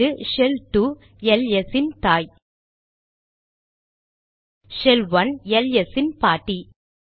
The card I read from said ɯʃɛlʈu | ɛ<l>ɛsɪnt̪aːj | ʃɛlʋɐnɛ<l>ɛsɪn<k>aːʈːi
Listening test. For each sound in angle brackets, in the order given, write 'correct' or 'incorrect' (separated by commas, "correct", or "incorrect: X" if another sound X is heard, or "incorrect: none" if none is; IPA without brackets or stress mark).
correct, correct, incorrect: p